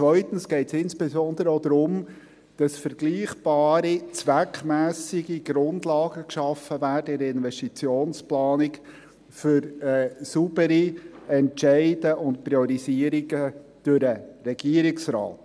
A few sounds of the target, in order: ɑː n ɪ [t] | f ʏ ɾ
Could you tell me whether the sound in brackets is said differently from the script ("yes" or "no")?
yes